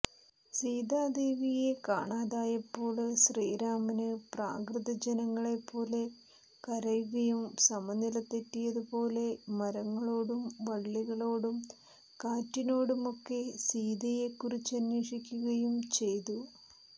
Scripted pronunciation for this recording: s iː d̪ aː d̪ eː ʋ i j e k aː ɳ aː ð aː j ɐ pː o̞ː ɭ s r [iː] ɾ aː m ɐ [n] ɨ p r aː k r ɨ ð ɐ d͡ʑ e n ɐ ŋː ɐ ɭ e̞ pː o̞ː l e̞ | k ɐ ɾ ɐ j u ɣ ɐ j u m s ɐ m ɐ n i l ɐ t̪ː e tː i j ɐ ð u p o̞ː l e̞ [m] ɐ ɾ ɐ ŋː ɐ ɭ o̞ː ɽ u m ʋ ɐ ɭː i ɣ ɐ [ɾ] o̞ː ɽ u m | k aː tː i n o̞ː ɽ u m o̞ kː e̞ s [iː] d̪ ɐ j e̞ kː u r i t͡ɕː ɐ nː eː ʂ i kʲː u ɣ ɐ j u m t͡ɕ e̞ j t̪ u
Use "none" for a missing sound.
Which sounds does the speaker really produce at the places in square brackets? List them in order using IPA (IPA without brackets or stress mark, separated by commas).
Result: iː, n, m, ɭ, iː